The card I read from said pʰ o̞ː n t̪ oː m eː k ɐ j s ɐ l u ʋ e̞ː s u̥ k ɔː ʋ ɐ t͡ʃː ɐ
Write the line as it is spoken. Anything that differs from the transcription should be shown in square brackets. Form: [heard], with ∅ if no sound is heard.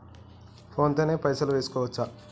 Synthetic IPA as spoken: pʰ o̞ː n t̪ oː [n] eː [p] ɐ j s ɐ l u ʋ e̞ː s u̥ k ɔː ʋ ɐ t͡ʃː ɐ